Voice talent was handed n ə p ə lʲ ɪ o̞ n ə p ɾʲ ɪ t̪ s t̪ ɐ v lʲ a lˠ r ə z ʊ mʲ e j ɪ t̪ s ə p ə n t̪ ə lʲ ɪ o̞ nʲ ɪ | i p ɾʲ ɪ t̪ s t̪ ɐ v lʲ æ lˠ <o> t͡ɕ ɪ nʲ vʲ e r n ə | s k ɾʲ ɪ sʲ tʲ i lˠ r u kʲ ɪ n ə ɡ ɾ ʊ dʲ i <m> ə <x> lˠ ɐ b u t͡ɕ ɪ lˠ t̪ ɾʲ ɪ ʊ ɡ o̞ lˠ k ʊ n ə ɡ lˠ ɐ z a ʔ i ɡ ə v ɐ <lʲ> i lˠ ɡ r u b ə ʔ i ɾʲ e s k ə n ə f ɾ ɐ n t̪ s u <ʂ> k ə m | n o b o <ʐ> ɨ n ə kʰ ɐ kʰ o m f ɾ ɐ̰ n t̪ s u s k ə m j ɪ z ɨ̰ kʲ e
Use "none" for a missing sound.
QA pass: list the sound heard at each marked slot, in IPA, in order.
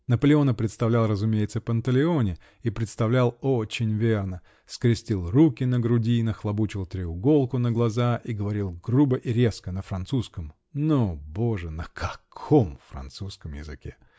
o, n, x, ɾʲ, s, ʐ

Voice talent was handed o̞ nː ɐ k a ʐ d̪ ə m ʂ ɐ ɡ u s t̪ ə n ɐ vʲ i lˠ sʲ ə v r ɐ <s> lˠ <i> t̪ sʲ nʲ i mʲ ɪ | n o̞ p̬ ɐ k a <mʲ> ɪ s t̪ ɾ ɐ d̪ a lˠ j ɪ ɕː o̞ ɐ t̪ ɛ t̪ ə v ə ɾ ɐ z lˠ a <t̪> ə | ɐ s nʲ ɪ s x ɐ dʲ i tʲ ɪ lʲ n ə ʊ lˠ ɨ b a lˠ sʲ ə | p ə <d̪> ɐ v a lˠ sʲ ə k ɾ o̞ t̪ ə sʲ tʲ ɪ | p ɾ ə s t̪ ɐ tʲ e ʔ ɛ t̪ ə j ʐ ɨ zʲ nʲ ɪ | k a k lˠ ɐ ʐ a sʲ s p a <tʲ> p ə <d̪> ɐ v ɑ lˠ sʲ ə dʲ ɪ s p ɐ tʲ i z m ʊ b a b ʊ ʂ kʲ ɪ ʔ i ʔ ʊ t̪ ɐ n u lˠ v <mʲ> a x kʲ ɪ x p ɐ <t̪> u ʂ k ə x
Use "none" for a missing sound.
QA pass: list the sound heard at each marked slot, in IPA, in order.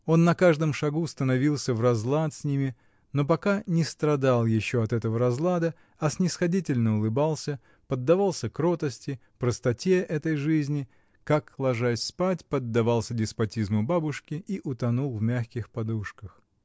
z, a, nʲ, d̪, d̪ː, tʲ, d̪ː, mʲ, d̪

